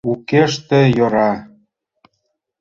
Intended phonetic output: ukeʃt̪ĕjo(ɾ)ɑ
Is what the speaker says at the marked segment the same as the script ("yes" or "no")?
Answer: yes